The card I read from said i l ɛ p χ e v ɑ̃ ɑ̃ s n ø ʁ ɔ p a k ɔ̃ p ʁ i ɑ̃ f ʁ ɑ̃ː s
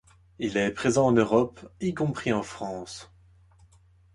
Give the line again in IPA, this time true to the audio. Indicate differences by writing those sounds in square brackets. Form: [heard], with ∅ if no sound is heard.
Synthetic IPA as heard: i l ɛ p χ e [z] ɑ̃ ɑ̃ [∅] n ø ʁ ɔ p [i] k ɔ̃ p [χ] i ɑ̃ f [χ] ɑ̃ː s